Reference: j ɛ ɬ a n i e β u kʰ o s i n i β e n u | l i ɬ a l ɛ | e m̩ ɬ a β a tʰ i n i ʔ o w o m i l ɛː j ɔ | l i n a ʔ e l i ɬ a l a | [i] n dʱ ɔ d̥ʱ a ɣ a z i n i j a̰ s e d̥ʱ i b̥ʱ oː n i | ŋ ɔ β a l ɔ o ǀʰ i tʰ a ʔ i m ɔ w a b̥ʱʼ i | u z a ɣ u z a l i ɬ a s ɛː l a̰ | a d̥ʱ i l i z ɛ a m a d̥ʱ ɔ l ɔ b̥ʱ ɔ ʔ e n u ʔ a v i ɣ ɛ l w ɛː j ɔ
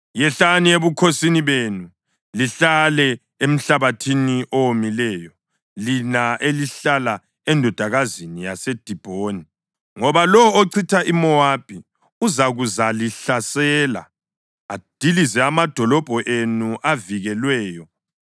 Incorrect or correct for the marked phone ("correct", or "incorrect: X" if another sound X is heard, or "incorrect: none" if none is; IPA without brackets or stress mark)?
incorrect: ɛ